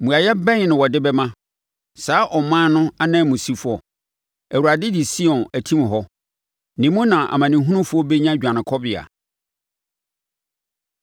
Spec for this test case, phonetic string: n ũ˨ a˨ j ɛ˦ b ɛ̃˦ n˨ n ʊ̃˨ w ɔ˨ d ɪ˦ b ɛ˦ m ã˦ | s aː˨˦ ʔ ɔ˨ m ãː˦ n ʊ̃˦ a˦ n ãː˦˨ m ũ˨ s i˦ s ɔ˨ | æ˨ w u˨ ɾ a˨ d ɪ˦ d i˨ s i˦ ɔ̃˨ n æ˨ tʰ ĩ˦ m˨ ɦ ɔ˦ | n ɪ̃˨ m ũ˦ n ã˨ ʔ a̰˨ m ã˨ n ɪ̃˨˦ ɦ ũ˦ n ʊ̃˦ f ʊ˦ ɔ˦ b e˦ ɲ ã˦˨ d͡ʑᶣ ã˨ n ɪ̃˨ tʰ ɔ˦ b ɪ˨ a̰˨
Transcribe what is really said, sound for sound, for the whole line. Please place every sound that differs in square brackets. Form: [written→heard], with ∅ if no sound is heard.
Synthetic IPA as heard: [n→m] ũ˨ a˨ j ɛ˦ b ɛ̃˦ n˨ n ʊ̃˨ w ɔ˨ d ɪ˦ b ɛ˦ m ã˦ | s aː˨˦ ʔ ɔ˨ m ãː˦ n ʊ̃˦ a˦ n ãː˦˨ m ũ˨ s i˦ [s→f] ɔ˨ | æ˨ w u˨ ɾ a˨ d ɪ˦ d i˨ s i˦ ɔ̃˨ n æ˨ tʰ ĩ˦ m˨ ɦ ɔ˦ | n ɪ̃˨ m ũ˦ n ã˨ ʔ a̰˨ m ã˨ n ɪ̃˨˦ ɦ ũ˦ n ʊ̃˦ f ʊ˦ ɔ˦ b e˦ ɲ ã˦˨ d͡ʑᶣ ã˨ n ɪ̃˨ [tʰ→kʰ] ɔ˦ b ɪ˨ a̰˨

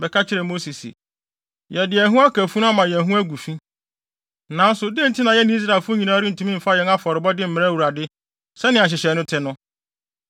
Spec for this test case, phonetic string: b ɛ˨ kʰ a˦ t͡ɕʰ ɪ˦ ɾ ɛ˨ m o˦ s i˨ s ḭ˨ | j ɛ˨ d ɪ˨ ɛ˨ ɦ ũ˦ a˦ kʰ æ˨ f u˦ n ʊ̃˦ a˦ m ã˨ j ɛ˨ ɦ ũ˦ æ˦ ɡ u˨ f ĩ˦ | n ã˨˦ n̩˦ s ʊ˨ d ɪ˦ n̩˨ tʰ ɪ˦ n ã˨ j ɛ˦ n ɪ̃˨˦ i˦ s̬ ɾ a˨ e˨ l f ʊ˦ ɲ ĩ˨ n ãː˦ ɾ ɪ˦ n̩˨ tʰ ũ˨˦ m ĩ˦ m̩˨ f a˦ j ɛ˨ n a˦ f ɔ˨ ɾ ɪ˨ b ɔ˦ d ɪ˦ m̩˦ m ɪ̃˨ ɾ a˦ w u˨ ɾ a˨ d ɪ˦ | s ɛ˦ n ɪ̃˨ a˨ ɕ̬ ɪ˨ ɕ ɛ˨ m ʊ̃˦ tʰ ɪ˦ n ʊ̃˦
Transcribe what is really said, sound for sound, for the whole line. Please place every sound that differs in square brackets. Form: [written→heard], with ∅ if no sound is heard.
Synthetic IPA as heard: b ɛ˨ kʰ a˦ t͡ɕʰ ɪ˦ ɾ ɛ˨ m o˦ s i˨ s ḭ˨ | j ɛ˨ d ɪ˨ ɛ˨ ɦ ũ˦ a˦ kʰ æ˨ f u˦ n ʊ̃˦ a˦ m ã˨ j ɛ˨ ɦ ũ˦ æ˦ ɡ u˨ f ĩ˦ | n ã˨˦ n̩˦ s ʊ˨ d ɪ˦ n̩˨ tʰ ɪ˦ n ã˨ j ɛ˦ n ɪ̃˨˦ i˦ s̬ ɾ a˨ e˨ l f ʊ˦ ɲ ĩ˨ n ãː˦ ɾ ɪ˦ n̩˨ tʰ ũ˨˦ m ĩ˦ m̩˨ f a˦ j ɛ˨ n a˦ f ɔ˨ ɾ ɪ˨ b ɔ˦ d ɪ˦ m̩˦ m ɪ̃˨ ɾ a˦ w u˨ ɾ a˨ d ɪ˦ | s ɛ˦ n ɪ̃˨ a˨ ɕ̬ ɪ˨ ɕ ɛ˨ [m→n] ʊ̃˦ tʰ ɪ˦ n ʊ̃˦

